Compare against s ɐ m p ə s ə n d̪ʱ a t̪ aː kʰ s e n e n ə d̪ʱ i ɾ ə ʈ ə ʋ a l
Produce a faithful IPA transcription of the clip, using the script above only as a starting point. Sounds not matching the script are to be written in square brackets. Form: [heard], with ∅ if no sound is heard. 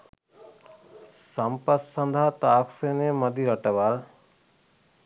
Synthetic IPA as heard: s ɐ m p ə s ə n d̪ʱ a t̪ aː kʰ s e n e [m] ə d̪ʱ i ɾ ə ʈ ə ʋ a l